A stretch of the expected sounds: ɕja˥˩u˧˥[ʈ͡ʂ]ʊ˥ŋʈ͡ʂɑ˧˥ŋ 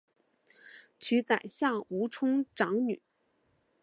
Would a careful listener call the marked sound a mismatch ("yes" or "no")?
yes